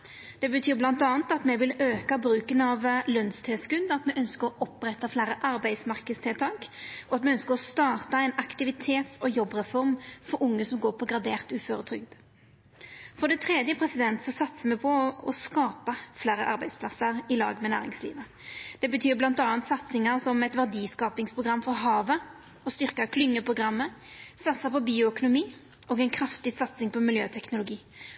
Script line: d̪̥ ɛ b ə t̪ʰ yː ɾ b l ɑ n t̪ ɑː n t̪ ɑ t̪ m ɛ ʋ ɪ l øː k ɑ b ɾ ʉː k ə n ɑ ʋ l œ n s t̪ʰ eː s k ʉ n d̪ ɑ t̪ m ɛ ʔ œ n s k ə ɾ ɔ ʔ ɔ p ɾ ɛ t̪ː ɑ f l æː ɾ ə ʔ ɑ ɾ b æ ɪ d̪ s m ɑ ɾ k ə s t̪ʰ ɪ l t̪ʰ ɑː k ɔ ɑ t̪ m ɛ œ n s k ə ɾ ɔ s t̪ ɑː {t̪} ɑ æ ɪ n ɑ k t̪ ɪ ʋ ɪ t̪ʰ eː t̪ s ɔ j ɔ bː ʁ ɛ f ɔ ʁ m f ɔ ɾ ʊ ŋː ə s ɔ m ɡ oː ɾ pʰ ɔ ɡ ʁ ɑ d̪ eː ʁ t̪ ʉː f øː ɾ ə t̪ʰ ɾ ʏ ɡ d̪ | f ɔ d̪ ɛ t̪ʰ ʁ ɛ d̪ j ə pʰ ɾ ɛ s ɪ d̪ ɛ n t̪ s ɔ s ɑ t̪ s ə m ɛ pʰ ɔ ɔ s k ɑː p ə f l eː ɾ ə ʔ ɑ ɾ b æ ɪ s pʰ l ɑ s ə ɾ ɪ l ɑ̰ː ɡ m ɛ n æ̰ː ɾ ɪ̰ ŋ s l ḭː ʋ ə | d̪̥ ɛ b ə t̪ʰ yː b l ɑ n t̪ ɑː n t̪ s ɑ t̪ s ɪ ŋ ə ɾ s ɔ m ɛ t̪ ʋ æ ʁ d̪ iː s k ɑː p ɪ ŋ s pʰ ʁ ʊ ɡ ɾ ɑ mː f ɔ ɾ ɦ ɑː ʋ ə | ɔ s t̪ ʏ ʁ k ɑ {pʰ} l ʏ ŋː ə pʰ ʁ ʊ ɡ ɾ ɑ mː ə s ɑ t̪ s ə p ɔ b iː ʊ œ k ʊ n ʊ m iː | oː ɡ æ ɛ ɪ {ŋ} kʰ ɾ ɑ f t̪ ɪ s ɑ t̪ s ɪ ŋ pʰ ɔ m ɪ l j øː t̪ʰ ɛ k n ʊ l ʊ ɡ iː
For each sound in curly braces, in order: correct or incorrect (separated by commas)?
correct, incorrect, incorrect